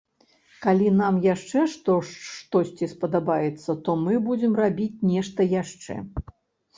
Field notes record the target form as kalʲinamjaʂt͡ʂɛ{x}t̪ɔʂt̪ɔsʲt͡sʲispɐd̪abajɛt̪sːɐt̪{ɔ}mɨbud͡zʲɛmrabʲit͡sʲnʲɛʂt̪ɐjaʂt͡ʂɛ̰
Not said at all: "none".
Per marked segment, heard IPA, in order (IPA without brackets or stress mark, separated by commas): ʂ, ɔ